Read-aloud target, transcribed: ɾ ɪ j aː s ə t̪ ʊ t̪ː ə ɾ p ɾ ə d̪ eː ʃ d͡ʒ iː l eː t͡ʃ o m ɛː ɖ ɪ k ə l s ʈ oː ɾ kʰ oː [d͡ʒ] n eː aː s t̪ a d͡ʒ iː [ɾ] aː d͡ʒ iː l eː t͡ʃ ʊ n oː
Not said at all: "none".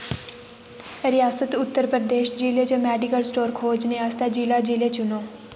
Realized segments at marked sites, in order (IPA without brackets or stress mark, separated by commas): d͡ʒ, l